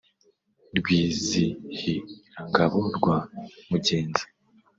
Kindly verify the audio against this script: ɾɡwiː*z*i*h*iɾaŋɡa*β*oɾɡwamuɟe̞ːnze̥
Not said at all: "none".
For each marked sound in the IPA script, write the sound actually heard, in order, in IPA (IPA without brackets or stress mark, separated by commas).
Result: z, h, β